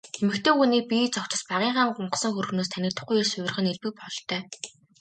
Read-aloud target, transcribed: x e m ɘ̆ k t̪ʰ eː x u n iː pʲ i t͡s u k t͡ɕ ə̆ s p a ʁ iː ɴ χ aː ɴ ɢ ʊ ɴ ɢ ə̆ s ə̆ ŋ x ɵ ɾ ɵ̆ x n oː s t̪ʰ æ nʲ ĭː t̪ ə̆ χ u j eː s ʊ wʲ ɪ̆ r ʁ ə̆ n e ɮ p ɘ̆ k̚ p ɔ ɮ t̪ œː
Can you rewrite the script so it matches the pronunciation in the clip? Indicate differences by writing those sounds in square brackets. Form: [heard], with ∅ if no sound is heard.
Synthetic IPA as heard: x e m ɘ̆ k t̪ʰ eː x u n iː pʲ i t͡s [ɔ] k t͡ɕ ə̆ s p a ʁ iː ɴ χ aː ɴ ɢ ʊ ɴ ɢ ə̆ s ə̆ ŋ x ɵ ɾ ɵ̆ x n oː s t̪ʰ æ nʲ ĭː t̪ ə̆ χ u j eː s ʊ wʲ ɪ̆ r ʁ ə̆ n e ɮ p ɘ̆ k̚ p ɔ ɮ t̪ œː

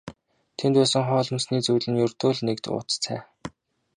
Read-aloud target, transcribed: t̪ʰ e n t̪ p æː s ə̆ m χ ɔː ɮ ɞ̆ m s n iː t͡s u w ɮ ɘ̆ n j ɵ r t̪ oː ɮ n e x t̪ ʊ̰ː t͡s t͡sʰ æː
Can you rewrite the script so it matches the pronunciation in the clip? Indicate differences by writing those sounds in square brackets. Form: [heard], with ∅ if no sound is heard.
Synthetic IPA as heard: t̪ʰ e n t̪ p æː s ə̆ [ŋ] χ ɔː ɮ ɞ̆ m s n iː t͡s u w ɮ ɘ̆ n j ɵ r t̪ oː ɮ n e [k] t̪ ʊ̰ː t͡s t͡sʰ æː

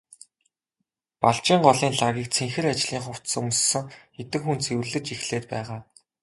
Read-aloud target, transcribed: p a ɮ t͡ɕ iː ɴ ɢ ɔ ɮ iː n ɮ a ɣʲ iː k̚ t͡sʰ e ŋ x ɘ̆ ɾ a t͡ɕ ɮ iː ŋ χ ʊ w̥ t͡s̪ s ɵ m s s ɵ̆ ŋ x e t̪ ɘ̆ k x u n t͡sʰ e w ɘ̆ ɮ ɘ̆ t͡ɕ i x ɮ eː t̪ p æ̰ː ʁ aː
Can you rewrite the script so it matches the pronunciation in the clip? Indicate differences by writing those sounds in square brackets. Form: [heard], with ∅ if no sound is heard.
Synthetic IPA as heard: p a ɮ t͡ɕ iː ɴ ɢ ɔ ɮ iː n ɮ a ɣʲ iː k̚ t͡sʰ e ŋ x ɘ̆ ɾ a t͡ɕ ɮ iː ŋ χ ʊ w̥ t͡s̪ s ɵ m s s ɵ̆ ŋ x e t̪ ɘ̆ k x u n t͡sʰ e w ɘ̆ ɮ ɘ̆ t͡ɕ i x ɮ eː t̪ p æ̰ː ʁ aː

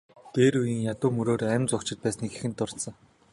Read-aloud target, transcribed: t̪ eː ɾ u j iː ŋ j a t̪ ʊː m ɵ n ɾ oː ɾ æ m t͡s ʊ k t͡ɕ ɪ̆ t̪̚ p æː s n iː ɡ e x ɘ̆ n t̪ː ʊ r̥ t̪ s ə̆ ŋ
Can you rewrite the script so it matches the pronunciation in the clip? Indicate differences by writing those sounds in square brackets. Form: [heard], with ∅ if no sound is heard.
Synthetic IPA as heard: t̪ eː ɾ u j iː ŋ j a t̪ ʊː m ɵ [∅] ɾ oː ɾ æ m t͡s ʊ k t͡ɕ ɪ̆ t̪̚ p æː s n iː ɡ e x ɘ̆ n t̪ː ʊ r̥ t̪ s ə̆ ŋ

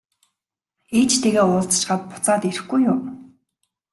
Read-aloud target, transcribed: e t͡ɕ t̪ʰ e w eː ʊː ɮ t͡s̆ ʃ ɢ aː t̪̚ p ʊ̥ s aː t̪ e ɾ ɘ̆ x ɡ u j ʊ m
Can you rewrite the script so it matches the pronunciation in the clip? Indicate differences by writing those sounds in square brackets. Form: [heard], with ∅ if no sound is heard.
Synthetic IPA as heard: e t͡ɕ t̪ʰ e [ɣ] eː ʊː ɮ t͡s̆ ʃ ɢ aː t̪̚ p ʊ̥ [t͡s] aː t̪ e ɾ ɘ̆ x ɡ u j ʊ m

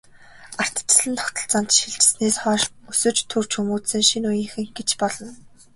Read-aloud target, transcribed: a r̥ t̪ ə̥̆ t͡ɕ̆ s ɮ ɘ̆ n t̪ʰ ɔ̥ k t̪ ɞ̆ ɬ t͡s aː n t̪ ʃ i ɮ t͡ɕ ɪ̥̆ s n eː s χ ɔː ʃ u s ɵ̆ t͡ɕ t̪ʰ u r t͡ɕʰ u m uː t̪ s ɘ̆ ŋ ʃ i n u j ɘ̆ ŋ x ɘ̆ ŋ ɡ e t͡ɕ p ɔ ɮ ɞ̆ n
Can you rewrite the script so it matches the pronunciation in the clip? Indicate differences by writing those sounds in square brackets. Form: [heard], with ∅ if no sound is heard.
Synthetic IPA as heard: a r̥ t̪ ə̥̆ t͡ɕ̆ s ɮ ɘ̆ n t̪ʰ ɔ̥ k t̪ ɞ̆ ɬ t͡s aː n t̪ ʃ i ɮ t͡ɕ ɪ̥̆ s n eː s χ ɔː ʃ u s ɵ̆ t͡ɕ t̪ʰ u r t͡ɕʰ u m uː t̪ s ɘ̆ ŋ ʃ i n u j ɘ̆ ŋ x ɘ̆ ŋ ɡ e t͡ɕ p ɔ ɮ ɞ̆ n

